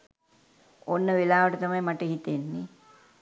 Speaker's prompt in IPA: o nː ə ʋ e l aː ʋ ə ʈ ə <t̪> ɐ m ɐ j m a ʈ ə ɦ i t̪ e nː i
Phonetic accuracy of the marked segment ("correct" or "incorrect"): correct